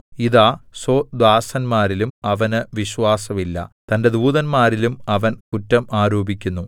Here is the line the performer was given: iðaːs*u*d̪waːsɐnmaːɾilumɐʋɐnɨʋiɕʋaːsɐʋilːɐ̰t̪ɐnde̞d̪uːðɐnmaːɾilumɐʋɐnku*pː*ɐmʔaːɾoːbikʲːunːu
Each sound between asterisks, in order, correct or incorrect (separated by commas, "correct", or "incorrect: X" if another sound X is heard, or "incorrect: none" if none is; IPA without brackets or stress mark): incorrect: o, incorrect: tː